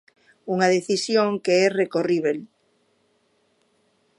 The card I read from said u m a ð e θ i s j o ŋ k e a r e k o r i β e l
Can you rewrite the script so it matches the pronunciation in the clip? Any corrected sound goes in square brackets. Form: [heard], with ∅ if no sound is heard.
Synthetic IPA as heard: u [ŋ] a ð e θ i s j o ŋ k e [ɛ] r e k o r i β e l